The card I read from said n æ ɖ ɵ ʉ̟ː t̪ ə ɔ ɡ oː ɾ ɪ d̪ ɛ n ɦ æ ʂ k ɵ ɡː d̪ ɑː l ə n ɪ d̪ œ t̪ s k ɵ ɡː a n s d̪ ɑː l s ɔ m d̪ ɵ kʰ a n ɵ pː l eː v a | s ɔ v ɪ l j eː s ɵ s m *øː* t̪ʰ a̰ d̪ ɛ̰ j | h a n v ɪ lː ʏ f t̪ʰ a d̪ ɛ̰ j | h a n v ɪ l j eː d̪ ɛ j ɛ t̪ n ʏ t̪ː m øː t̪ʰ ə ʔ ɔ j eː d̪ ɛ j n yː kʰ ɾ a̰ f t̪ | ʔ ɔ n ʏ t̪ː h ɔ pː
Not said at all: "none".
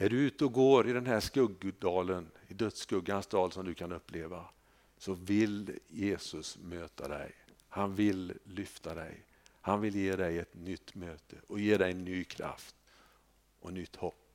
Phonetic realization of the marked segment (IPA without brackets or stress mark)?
øː